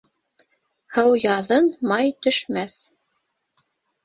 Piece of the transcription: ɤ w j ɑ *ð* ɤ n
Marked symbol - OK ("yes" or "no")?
yes